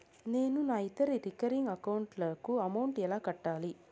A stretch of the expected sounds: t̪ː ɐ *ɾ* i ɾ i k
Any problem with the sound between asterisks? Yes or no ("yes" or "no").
no